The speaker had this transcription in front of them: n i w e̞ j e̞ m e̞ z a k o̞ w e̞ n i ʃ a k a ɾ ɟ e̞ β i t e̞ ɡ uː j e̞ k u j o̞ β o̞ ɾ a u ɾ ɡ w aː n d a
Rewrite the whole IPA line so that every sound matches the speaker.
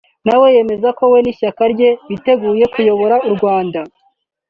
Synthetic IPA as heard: n a w e̞ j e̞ m e̞ z a k o̞ w e̞ n i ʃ a k a ɾ ɟ e̞ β i t e̞ ɡ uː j e̞ k u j o̞ β o̞ ɾ a u ɾ ɡ w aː n d a

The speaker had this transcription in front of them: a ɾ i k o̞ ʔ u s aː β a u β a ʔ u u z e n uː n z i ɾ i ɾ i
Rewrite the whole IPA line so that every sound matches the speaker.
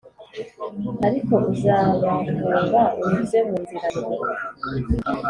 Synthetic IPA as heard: a ɾ i k o̞ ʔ u z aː β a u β a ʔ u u z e m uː n z i ɾ a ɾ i

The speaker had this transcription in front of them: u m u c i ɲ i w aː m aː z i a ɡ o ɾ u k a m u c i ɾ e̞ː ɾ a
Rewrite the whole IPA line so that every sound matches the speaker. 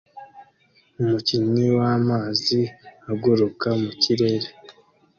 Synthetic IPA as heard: u m u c i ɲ i w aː m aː z i a ɡ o ɾ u k a m u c i ɾ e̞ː ɾ e

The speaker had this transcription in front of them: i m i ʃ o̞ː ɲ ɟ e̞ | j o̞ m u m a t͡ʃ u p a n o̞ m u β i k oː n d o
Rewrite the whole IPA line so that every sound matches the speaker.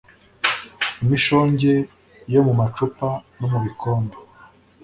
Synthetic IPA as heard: i m i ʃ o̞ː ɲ ɟ e̞ | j o̞ m u m a t͡ʃ u p a n o̞ m u β i k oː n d o

